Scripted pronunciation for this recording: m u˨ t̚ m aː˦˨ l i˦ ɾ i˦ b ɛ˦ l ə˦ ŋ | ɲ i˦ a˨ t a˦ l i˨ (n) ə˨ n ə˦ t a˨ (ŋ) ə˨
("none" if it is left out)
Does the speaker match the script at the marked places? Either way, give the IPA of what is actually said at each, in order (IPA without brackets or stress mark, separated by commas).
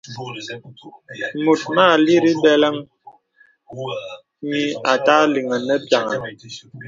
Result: ŋ, ŋ